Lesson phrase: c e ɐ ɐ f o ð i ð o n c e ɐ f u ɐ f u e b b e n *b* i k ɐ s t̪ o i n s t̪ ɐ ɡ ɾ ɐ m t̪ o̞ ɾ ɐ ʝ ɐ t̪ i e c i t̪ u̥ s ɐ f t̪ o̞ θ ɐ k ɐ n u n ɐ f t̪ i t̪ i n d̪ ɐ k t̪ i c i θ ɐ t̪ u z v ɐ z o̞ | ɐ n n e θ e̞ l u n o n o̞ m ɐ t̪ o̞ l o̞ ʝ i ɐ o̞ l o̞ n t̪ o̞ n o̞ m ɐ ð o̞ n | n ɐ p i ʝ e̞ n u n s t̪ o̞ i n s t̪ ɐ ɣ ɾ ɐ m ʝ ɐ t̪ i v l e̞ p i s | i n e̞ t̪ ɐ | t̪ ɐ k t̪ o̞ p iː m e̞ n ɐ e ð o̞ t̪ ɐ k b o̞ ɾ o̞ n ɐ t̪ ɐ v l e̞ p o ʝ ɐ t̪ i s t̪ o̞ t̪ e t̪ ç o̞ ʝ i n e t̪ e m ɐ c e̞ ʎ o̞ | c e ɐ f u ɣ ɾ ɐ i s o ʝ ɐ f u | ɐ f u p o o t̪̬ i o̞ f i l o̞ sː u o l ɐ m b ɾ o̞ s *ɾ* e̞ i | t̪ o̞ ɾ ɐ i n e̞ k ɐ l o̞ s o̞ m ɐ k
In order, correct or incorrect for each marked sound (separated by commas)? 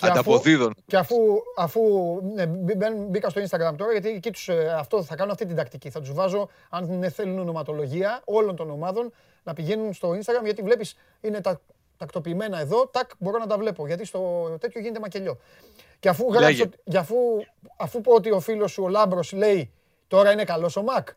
correct, incorrect